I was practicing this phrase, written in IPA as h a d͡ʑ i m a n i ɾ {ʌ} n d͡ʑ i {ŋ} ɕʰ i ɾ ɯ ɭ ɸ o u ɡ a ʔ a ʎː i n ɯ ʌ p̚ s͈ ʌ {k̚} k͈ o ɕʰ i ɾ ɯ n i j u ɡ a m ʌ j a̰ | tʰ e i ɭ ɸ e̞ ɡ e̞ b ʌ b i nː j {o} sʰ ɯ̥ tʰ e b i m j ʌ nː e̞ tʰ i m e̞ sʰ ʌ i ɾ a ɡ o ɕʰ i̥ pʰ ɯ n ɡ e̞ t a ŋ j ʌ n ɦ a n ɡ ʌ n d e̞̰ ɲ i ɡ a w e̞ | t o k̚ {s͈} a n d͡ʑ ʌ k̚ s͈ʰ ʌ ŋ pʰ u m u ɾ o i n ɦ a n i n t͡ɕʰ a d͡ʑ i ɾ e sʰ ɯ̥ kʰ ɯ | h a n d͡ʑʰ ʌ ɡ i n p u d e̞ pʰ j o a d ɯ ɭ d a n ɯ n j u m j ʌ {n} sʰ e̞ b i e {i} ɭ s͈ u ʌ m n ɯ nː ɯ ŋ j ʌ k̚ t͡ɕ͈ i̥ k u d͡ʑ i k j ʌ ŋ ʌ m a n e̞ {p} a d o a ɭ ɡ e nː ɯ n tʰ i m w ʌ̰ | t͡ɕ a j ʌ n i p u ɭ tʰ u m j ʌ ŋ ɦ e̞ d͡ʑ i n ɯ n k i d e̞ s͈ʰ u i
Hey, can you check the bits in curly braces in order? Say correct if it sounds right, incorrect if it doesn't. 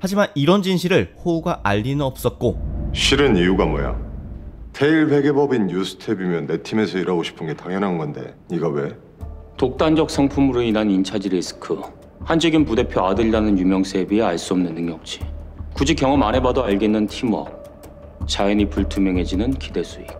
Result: correct, incorrect: n, incorrect: t̚, incorrect: u, incorrect: t͈, incorrect: ŋ, incorrect: a, incorrect: b

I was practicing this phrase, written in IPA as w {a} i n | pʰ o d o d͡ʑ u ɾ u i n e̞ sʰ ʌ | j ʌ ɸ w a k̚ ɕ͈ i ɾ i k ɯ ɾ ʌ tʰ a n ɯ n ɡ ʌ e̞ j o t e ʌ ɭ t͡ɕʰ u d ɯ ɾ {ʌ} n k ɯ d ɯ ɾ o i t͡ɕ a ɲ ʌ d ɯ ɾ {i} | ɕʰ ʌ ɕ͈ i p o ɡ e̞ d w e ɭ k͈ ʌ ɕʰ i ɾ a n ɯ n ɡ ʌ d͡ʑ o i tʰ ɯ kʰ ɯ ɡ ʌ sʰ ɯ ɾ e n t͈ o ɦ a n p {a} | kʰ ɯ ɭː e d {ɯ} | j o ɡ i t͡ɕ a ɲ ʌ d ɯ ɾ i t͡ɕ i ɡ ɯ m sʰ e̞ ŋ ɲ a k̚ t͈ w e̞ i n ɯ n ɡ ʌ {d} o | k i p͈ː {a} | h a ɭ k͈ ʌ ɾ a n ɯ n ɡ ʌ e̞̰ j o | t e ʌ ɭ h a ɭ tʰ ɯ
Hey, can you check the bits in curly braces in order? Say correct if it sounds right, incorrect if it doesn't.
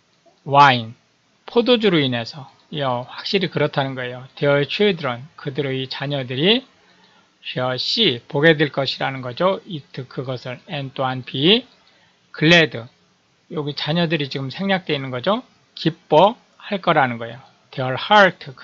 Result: correct, correct, correct, incorrect: i, correct, incorrect: d͡ʑ, incorrect: ʌ

